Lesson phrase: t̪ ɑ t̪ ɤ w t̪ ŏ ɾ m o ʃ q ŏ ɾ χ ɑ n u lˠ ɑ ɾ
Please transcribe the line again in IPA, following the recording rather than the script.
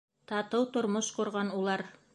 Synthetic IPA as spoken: t̪ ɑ t̪ ɤ w t̪ ŏ ɾ m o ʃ q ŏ ɾ ʁ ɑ n u lˠ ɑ ɾ